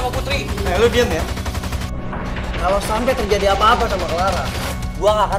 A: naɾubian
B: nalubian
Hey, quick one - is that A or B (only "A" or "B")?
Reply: B